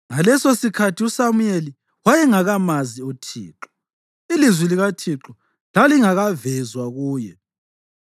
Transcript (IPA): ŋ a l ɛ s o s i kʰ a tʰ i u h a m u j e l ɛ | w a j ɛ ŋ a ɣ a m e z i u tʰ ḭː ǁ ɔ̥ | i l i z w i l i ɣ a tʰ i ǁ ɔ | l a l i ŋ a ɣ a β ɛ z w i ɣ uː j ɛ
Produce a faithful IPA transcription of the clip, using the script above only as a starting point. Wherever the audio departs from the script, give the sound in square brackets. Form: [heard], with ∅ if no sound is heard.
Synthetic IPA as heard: ŋ a l ɛ s o s i kʰ a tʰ i u [s] a m u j e l [i] | w a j ɛ ŋ a ɣ a m [a] z i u tʰ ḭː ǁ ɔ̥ | i l i z w i l i ɣ a tʰ i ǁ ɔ | l a l i ŋ a ɣ a [v] ɛ z w [a] ɣ uː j ɛ